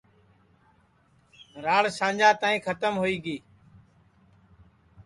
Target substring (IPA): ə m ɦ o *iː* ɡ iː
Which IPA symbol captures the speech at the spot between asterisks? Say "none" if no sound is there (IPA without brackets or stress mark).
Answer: iː